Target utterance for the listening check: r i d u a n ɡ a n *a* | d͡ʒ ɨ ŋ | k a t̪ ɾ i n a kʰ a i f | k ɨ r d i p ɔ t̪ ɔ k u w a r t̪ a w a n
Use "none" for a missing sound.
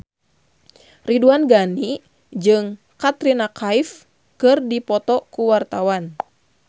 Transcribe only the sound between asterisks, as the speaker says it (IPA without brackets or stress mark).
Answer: i